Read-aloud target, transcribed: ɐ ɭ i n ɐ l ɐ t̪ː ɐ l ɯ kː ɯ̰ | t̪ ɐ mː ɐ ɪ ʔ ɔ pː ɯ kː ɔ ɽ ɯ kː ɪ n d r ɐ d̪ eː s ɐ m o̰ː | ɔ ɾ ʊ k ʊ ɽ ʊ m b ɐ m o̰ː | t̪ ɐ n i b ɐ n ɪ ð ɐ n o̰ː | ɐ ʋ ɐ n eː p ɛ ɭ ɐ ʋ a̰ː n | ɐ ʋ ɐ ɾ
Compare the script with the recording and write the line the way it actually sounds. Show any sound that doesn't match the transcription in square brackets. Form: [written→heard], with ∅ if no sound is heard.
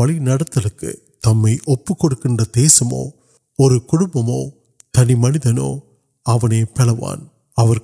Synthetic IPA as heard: ɐ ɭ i n ɐ [l→ɽ] ɐ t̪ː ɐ l ɯ kː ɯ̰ | t̪ ɐ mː ɐ ɪ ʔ ɔ pː ɯ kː ɔ ɽ ɯ kː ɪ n d r ɐ d̪ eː s ɐ m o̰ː | ɔ ɾ [ʊ→ɯ] k ʊ ɽ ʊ m b ɐ m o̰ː | t̪ ɐ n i [b→m] ɐ n ɪ ð ɐ n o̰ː | ɐ ʋ ɐ n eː p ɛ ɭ ɐ ʋ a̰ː n | ɐ ʋ ɐ ɾ